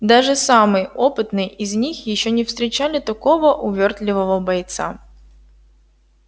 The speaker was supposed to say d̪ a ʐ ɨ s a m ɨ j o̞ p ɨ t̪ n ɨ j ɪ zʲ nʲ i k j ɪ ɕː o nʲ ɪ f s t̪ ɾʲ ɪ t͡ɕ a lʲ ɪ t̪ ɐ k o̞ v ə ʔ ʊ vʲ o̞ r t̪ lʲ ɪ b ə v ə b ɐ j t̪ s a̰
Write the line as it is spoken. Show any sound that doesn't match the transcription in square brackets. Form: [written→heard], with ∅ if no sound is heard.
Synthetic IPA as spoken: d̪ a ʐ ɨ s a m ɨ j o̞ p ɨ t̪ n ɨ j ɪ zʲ nʲ i [k→x] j ɪ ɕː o nʲ ɪ f s t̪ ɾʲ ɪ t͡ɕ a lʲ ɪ t̪ ɐ k o̞ v ə ʔ ʊ vʲ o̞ r t̪ lʲ ɪ [b→v] ə v ə b ɐ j t̪ s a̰